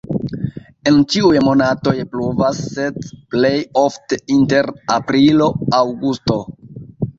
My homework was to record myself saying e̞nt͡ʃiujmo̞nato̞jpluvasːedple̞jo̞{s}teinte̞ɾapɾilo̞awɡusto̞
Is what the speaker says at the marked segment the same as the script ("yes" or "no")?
no